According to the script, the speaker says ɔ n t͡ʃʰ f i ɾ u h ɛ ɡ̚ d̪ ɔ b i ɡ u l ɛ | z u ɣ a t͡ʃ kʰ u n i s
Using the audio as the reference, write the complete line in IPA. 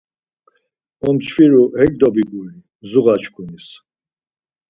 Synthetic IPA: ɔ m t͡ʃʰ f i ɾ u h ɛ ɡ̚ d̪ ɔ b i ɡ u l i | z u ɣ a t͡ʃ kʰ u n i s